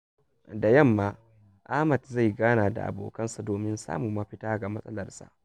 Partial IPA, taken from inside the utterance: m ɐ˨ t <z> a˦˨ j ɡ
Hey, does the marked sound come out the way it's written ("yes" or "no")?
yes